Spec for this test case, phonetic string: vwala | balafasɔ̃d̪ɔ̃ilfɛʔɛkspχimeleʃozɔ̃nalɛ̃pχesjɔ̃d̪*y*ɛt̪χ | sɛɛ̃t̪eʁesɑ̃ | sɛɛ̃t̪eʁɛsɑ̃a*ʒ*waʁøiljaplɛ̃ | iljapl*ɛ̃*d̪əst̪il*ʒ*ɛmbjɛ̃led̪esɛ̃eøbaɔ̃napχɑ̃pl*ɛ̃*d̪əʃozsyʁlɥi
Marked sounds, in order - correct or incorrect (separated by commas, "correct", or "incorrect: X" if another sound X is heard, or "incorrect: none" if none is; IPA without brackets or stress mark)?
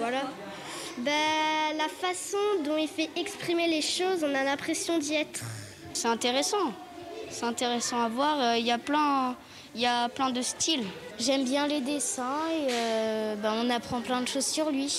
incorrect: i, incorrect: v, correct, correct, correct